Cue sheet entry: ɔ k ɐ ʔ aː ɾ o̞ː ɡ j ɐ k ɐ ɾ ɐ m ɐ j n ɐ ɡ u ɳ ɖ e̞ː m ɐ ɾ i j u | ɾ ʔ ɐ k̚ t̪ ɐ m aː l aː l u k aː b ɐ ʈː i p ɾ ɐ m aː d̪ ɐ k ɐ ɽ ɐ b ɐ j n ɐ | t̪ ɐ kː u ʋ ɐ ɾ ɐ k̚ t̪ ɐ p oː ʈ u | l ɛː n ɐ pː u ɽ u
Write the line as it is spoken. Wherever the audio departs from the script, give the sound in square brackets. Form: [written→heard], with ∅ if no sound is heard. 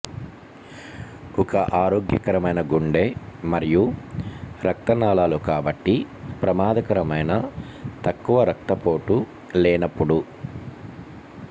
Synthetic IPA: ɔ k ɐ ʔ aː ɾ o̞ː ɡ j ɐ k ɐ ɾ ɐ m ɐ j n ɐ ɡ u ɳ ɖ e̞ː m ɐ ɾ i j u | ɾ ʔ ɐ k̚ t̪ ɐ [m→n] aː l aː l u k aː b ɐ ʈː i p ɾ ɐ m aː d̪ ɐ k ɐ [ɽ→ɾ] ɐ [b→m] ɐ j n ɐ | t̪ ɐ kː u ʋ ɐ ɾ ɐ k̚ t̪ ɐ p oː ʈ u | l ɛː n ɐ pː u ɽ u